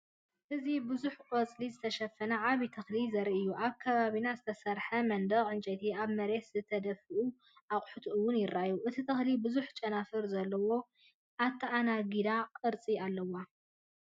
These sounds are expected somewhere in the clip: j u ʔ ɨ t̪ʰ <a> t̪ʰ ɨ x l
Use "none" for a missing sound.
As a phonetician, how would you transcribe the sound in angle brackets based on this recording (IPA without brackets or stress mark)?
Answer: i